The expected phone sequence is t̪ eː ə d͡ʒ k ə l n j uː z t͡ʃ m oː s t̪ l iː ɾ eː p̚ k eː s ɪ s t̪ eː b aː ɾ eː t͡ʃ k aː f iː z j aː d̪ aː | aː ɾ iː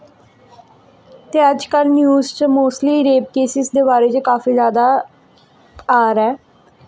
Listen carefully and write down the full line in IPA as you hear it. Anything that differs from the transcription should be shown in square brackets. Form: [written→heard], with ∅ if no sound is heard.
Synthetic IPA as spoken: t̪ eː ə d͡ʒ k ə l n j uː z t͡ʃ m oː s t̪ l iː ɾ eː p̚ k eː s ɪ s [t̪→d̪] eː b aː ɾ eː t͡ʃ k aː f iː z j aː d̪ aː | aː ɾ [iː→ɛː]